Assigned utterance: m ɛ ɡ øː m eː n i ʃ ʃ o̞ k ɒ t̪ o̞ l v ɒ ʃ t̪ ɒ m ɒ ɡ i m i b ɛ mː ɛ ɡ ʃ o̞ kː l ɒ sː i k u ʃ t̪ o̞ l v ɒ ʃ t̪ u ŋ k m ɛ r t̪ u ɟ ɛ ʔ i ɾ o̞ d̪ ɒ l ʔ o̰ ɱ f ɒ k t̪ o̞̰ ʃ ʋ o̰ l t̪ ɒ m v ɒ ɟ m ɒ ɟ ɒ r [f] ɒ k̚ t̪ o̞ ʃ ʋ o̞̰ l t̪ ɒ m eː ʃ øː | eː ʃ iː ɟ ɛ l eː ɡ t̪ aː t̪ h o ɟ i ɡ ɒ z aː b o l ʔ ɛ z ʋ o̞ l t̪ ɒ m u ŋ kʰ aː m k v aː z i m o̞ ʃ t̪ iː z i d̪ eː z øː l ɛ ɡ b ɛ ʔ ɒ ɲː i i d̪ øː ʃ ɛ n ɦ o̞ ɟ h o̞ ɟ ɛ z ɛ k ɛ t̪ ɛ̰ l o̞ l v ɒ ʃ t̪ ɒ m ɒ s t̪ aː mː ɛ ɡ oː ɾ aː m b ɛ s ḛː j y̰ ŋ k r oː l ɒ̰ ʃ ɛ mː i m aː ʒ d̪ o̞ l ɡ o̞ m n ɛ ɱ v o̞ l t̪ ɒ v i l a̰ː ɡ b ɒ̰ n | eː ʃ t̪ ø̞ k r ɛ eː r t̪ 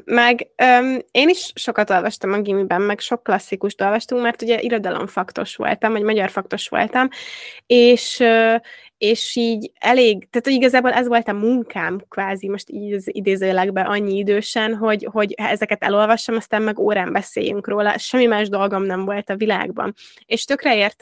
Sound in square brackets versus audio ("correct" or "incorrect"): correct